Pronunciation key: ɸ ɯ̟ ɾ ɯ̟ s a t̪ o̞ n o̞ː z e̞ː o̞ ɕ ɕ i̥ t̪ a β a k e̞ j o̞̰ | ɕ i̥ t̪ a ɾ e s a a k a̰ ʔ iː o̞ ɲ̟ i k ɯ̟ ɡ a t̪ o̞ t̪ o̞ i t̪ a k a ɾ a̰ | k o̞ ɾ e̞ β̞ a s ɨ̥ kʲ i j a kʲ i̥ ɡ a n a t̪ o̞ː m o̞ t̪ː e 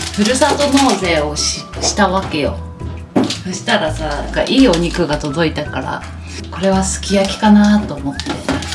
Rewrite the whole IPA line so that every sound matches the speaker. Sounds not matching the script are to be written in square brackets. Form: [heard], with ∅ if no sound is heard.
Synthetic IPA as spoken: ɸ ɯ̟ ɾ ɯ̟ s a t̪ o̞ n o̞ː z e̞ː o̞ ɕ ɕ i̥ t̪ a β a k e̞ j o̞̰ | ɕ i̥ t̪ a ɾ [a] s a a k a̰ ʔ iː o̞ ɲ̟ i k ɯ̟ ɡ a t̪ o̞ [d̪] o̞ i t̪ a k a ɾ a̰ | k o̞ ɾ e̞ β̞ a s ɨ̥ kʲ i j a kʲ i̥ [k] a n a t̪ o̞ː m o̞ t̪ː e